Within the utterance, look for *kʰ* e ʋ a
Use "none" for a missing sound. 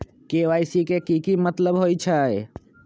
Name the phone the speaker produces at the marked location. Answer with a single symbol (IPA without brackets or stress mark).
k